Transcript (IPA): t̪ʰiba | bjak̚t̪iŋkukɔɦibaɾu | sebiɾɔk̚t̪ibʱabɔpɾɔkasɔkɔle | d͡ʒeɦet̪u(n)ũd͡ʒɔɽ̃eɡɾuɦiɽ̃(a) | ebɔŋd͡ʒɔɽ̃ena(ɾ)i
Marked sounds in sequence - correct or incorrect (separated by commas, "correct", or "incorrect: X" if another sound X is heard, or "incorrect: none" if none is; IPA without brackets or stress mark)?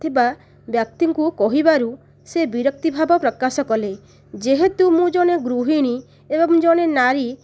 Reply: incorrect: m, incorrect: i, correct